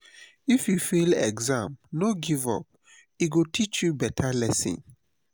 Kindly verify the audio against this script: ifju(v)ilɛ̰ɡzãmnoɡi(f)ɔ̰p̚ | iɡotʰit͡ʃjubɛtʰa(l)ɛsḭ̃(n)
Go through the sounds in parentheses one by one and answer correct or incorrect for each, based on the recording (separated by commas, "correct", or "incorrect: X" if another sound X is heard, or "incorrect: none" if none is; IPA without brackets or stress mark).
incorrect: f, incorrect: v, correct, correct